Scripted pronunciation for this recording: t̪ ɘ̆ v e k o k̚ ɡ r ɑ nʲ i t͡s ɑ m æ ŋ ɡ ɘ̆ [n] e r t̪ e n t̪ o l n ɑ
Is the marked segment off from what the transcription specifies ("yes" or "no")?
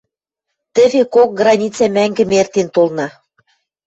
yes